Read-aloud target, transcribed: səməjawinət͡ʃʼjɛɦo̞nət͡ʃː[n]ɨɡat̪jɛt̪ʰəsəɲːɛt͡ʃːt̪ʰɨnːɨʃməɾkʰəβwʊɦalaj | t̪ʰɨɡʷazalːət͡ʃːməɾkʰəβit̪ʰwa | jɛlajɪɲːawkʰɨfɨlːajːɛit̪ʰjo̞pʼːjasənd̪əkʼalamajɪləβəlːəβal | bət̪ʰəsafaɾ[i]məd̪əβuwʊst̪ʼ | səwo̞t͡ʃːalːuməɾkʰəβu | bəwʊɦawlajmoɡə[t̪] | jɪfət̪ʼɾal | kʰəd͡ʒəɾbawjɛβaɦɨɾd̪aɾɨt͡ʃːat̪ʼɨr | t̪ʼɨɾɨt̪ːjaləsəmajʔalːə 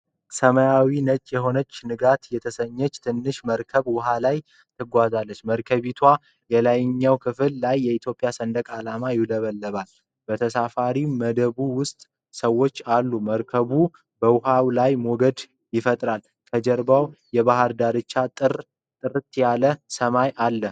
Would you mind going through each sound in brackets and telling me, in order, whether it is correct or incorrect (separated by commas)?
correct, correct, incorrect